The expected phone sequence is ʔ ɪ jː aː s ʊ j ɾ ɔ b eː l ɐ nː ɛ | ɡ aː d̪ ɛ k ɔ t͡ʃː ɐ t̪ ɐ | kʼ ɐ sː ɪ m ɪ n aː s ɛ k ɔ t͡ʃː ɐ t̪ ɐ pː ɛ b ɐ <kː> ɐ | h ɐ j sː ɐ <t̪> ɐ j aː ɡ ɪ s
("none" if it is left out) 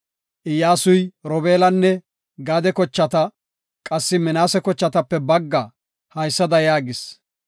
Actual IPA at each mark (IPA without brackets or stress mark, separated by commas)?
ɡː, d̪